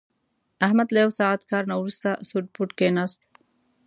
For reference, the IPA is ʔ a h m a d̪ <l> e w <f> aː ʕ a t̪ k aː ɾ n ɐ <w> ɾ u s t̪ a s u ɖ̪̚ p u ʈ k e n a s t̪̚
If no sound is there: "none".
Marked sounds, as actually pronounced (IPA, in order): l, s, w

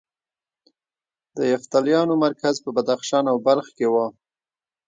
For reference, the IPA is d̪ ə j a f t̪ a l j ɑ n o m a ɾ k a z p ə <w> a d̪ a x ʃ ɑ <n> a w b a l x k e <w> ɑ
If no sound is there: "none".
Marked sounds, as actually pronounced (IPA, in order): b, n, w

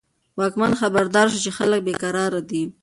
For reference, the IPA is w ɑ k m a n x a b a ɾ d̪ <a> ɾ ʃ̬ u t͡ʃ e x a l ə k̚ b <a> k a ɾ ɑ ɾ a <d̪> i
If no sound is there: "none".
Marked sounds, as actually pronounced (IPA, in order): ɑ, e, d̪

